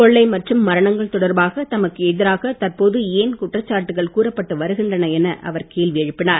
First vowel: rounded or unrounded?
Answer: rounded